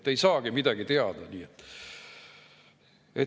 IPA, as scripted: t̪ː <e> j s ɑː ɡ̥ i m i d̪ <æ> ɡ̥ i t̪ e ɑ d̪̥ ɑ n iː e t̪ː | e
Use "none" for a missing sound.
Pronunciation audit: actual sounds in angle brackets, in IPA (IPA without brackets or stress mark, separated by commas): e, æ